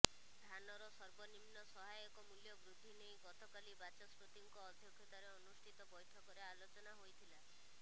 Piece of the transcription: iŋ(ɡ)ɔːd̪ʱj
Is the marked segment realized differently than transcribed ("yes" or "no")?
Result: yes